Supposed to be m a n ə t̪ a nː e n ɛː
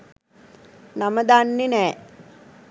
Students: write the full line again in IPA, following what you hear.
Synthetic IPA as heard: n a m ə d̪ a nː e n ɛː